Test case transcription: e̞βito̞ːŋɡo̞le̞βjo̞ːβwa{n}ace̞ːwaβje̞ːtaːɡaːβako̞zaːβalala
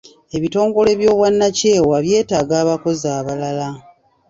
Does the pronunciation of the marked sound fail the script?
yes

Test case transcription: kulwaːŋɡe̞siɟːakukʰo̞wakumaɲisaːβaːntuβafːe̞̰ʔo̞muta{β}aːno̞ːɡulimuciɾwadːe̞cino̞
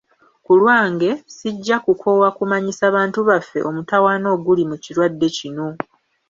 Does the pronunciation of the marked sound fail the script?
yes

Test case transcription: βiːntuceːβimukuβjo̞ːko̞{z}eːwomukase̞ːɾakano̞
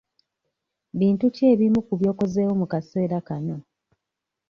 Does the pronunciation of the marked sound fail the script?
no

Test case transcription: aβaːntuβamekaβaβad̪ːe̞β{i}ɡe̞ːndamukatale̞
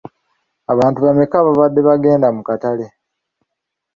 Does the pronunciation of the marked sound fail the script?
yes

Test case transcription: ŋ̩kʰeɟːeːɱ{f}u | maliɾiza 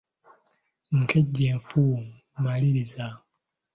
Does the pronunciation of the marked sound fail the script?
no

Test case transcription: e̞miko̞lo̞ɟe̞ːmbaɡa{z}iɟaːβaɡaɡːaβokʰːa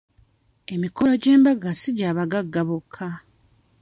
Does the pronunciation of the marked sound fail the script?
yes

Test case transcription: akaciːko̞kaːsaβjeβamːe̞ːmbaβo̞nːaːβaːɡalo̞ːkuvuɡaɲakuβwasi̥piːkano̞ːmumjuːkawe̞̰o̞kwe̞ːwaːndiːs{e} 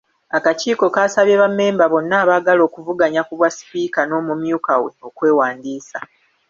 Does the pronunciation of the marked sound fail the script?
yes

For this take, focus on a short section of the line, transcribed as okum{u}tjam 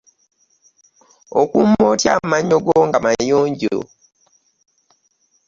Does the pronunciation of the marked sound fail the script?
yes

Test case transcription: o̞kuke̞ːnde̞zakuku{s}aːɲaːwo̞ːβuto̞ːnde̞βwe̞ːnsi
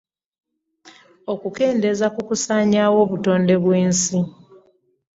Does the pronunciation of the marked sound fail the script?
no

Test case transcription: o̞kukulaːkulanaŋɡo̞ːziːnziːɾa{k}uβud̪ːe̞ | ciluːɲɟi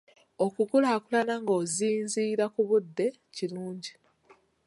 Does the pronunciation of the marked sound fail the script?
no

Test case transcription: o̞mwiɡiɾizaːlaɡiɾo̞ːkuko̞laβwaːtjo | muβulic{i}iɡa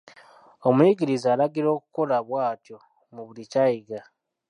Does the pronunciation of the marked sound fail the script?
yes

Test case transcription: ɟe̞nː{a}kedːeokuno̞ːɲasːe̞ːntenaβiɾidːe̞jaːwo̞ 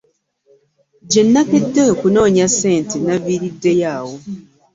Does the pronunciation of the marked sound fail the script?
no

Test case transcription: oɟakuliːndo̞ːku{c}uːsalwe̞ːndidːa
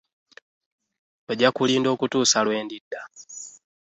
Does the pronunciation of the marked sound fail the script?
yes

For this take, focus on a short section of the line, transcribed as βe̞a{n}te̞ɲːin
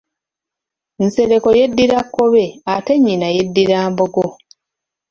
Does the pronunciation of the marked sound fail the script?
yes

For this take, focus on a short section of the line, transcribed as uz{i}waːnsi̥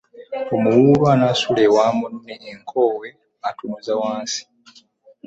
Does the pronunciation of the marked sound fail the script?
yes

